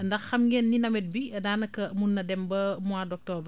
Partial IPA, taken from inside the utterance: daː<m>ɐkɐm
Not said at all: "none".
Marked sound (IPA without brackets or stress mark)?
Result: n